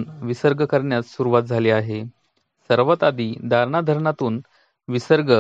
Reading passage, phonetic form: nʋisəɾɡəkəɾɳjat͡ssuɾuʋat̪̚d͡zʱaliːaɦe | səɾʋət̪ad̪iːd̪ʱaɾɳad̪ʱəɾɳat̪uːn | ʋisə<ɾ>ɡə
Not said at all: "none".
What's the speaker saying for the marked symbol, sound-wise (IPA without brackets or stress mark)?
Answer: ɾ